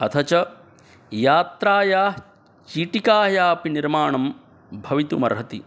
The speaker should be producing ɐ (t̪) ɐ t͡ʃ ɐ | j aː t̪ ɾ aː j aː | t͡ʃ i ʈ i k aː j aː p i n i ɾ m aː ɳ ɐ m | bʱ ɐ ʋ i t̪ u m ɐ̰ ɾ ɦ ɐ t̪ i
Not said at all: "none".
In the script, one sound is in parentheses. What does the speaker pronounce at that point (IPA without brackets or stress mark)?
t̪ʰ